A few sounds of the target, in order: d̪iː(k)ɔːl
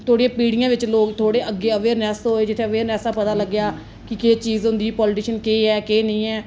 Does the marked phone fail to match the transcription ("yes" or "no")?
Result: yes